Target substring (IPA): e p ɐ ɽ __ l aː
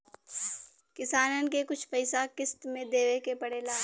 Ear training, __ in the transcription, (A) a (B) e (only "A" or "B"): B